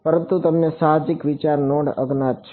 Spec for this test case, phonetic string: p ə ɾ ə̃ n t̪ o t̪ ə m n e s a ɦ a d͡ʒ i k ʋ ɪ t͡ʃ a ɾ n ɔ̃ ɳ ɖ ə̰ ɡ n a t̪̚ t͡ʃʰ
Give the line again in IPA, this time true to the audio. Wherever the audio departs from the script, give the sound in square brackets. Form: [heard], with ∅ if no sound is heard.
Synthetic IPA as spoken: p ə ɾ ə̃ n t̪ [u] t̪ ə m n e s a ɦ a d͡ʒ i k ʋ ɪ t͡ʃ a ɾ n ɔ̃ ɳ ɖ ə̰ ɡ n a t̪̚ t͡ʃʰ